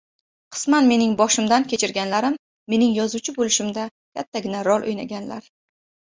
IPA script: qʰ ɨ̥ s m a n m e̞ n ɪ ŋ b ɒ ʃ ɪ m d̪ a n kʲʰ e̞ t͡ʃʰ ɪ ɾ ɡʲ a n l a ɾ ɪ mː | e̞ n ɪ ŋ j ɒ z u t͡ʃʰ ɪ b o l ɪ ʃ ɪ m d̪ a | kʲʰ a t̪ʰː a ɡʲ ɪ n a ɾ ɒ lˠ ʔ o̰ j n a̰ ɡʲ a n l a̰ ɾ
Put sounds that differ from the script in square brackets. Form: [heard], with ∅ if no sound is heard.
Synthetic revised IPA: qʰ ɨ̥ s m a n m e̞ n ɪ ŋ b ɒ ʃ ɪ m d̪ a n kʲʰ e̞ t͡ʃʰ ɪ ɾ ɡʲ a n l a ɾ ɪ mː | e̞ n ɪ ŋ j ɒ z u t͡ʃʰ ɪ b o l ɪ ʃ ɪ m d̪ a | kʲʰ a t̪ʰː a ɡʲ ɪ n a ɾ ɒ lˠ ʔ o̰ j n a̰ ɡʲ a n l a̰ ɾ